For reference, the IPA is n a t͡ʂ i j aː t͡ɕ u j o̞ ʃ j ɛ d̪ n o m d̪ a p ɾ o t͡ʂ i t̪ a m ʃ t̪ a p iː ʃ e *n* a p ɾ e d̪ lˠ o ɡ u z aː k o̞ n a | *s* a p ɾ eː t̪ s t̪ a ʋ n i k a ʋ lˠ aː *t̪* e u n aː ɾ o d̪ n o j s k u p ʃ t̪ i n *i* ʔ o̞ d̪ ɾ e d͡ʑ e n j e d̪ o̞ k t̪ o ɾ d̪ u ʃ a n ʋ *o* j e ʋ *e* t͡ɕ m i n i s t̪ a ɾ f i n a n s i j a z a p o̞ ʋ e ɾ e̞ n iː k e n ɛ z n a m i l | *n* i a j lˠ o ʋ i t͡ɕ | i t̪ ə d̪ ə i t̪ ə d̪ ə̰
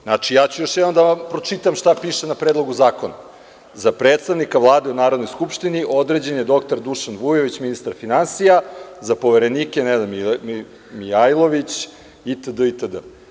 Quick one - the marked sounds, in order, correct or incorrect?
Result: correct, incorrect: z, incorrect: d̪, correct, incorrect: u, incorrect: i, incorrect: m

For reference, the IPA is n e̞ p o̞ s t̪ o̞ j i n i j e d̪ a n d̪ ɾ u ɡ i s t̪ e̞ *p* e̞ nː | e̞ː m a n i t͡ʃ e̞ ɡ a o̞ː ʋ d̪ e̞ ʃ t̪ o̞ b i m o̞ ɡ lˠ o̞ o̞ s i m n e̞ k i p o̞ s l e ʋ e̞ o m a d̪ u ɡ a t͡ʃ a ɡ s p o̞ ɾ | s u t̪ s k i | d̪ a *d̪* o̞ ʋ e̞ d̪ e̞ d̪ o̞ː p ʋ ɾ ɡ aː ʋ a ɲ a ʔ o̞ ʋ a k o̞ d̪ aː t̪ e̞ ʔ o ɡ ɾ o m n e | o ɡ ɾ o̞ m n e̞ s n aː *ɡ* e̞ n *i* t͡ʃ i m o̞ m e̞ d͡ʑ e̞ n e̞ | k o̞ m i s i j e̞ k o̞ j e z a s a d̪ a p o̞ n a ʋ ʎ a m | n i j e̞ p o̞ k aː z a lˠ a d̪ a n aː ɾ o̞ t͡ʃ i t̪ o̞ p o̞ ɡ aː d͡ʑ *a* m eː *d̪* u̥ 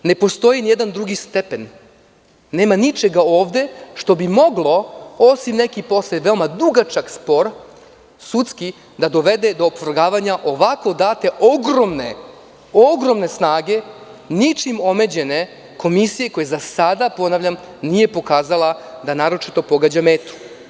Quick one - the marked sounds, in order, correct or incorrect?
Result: correct, correct, correct, correct, correct, incorrect: t̪

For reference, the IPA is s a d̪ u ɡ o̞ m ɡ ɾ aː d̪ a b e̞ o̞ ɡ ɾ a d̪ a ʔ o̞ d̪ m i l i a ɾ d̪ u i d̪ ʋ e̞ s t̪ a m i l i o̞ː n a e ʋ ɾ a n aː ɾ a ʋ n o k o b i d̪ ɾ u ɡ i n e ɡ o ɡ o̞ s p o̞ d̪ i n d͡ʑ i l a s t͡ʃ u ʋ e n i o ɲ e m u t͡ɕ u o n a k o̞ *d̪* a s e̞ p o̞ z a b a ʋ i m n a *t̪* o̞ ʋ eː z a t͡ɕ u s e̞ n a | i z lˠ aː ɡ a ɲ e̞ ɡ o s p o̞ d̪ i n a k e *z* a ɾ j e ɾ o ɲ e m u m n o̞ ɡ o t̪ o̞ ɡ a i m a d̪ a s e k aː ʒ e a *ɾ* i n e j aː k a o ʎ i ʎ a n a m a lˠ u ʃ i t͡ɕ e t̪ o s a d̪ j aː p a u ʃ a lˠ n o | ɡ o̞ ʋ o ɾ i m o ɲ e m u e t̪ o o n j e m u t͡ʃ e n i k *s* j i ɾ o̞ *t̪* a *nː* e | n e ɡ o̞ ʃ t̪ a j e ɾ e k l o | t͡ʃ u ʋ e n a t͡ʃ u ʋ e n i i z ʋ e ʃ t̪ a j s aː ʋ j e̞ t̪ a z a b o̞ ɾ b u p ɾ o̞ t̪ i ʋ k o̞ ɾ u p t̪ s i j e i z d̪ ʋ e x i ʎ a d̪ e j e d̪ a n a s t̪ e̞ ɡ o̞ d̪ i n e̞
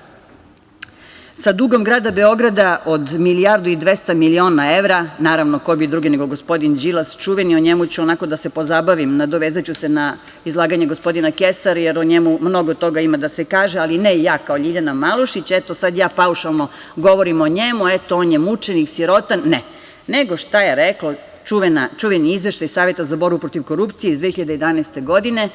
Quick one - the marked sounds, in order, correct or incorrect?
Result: correct, incorrect: d̪, incorrect: s, incorrect: l, correct, correct, correct

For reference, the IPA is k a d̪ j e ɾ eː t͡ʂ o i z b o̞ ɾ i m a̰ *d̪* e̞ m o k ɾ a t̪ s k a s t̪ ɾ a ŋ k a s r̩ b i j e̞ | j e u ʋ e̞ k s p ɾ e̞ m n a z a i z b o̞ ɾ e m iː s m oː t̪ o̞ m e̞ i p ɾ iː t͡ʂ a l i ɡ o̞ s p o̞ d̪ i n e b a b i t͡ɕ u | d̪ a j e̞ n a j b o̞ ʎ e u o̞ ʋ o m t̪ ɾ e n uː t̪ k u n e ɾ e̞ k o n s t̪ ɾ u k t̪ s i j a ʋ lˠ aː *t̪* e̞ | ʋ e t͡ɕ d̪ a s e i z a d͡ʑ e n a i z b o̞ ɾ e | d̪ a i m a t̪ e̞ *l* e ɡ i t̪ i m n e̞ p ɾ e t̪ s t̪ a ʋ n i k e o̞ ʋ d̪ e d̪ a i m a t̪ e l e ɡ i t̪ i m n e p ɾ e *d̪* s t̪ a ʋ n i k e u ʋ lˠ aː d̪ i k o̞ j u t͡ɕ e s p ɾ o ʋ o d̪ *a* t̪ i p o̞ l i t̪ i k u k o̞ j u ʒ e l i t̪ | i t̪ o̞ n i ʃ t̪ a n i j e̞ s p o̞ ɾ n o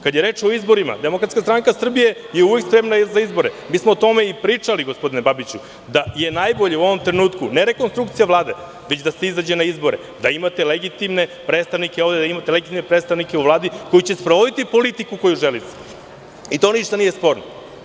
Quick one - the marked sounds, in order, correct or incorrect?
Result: correct, incorrect: d̪, correct, incorrect: t̪, incorrect: i

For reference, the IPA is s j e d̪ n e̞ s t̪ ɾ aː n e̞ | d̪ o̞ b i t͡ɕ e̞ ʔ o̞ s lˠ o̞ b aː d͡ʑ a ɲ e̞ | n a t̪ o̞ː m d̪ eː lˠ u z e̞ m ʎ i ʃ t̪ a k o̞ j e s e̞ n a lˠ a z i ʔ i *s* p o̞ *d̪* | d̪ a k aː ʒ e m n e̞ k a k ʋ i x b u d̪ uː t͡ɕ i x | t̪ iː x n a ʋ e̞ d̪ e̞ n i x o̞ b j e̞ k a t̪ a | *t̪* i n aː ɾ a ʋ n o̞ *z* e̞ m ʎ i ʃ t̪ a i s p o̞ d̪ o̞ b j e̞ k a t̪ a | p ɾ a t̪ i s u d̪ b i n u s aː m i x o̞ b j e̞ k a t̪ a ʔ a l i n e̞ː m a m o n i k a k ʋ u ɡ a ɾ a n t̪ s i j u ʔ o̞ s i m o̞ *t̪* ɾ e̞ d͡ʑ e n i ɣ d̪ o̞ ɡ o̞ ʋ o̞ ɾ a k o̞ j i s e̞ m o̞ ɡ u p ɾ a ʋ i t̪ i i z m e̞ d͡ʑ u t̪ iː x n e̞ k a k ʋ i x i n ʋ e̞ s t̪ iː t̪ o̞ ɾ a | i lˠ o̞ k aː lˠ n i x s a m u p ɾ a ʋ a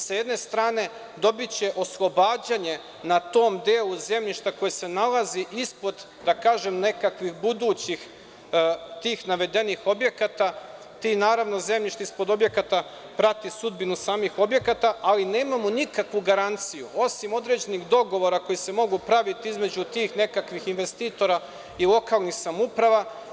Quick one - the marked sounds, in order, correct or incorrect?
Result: correct, correct, correct, correct, incorrect: d̪

